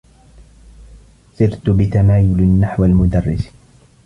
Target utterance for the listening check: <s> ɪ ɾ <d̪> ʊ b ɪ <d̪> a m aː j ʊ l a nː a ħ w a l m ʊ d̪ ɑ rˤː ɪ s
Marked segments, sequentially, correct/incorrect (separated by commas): correct, incorrect, incorrect